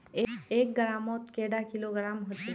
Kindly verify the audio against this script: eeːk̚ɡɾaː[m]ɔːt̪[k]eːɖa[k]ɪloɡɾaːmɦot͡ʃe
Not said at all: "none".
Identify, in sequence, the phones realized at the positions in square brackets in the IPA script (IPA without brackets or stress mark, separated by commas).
m, k, k